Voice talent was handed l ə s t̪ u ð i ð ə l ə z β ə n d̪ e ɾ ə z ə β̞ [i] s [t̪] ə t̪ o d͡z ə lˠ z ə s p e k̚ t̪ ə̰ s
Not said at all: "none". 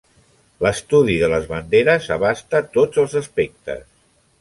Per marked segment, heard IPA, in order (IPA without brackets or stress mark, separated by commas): a, t̪